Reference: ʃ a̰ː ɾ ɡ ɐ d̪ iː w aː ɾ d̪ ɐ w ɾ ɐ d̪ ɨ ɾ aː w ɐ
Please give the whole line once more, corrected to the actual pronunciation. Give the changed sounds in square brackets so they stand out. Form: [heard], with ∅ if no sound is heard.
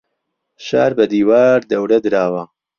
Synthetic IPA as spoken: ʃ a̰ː ɾ [b] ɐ d̪ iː w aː ɾ d̪ ɐ w ɾ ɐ d̪ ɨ ɾ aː w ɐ